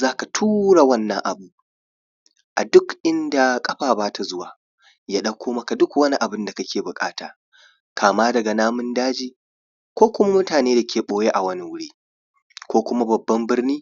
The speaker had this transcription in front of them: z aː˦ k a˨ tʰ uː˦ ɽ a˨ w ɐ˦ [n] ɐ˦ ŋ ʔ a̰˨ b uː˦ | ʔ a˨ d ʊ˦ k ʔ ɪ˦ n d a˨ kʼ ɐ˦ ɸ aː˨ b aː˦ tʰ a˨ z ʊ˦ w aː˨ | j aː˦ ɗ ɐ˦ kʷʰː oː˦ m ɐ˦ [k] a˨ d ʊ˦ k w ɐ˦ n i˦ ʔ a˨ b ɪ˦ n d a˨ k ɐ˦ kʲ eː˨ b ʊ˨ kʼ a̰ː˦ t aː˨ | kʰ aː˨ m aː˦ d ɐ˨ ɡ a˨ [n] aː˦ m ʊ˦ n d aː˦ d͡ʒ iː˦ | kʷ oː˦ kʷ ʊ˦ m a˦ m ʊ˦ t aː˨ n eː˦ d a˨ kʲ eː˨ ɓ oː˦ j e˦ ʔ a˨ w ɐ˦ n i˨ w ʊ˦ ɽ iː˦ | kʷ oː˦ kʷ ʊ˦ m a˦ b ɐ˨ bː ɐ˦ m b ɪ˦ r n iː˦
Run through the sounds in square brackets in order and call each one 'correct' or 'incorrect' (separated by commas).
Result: incorrect, correct, correct